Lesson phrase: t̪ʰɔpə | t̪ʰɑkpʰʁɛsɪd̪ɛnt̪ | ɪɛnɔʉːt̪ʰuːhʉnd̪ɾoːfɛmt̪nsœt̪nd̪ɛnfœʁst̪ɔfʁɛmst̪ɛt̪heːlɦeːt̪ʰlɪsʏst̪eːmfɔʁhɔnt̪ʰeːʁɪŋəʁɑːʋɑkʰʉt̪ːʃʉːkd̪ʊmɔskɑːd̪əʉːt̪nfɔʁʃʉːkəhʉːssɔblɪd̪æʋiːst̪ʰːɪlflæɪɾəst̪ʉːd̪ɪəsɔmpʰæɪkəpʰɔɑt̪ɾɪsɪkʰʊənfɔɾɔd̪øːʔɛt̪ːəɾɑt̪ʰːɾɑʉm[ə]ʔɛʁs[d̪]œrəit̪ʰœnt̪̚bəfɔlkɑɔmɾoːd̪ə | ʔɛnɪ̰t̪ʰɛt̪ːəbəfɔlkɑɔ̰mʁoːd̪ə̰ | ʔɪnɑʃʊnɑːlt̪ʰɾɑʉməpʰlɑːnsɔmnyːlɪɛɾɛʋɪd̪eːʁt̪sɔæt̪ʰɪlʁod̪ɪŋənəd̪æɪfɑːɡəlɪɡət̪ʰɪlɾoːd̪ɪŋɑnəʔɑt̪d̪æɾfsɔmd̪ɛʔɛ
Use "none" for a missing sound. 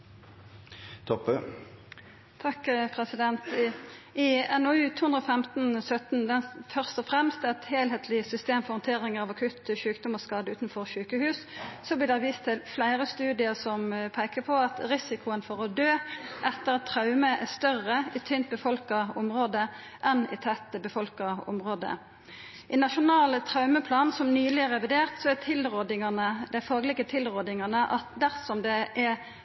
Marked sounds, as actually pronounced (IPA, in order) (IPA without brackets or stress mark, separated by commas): ə, t̪